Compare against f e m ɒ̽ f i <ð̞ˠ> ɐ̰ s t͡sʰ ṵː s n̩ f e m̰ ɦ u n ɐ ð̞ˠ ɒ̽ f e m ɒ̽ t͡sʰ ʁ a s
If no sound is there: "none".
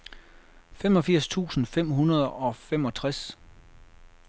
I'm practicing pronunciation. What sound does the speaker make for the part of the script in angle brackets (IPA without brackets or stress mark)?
none